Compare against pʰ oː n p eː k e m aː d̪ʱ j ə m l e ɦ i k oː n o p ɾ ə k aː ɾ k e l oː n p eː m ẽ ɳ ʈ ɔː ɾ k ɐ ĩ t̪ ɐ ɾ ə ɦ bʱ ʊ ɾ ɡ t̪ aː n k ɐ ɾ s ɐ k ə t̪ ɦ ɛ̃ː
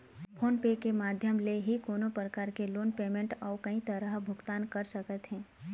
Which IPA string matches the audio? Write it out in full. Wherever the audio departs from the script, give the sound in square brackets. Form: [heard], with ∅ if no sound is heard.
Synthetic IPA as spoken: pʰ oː n p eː k e m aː d̪ʱ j ə m l e ɦ i k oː n o p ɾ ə k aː ɾ k e l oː n p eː m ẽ ɳ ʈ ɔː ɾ k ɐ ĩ t̪ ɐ ɾ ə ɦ bʱ ʊ [∅] ɡ t̪ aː n k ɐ ɾ s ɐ k ə t̪ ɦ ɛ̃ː